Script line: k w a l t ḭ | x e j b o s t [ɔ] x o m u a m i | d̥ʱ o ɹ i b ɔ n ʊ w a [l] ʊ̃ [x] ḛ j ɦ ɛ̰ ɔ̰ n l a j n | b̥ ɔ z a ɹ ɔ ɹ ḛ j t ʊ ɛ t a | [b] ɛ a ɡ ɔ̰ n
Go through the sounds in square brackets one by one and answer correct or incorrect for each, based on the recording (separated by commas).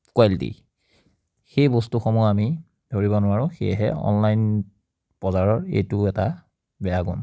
incorrect, incorrect, correct, correct